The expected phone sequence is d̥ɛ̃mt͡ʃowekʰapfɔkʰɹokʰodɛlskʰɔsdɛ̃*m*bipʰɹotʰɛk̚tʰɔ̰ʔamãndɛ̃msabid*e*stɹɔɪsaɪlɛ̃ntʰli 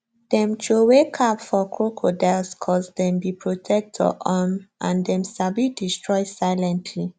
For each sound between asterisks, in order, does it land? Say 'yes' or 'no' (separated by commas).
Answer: yes, no